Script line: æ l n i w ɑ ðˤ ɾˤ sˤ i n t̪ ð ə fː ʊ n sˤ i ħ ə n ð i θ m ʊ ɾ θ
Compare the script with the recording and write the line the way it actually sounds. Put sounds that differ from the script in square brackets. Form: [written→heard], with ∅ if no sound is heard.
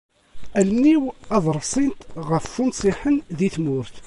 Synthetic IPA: æ l n i w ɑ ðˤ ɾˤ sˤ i n t̪ [ð→ʁ] ə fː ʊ n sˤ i ħ ə n ð i θ m ʊ ɾ θ